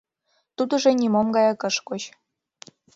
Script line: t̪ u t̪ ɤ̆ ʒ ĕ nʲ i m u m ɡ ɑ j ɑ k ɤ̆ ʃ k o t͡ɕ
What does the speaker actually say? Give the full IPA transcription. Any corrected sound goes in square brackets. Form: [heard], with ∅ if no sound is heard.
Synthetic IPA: t̪ u [d̪] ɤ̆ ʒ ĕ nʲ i m [o] m ɡ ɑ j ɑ k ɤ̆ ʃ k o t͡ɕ